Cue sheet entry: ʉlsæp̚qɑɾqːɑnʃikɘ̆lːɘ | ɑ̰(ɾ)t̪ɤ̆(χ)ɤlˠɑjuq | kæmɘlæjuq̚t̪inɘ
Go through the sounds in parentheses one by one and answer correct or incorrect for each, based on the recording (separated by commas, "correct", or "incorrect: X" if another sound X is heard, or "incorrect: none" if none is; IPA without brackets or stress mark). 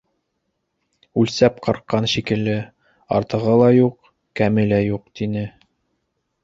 correct, incorrect: ʁ